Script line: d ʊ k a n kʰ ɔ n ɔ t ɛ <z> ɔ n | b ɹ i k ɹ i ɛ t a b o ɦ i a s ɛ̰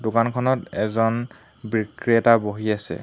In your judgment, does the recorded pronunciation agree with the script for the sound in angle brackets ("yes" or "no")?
yes